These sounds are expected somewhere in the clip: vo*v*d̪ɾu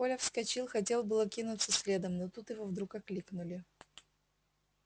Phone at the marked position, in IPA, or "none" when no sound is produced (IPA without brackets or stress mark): v